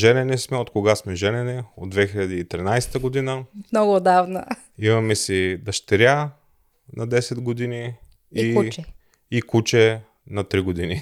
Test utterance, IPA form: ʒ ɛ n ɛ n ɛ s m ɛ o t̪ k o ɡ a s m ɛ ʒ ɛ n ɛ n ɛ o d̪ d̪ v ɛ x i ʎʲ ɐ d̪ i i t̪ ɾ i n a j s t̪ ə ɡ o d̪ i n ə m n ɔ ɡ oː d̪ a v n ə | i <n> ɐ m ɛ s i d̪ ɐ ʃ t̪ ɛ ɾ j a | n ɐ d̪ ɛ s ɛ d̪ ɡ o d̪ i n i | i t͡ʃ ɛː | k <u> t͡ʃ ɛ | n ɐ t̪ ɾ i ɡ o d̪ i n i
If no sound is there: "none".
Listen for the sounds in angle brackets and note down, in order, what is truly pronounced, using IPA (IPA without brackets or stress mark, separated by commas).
m, u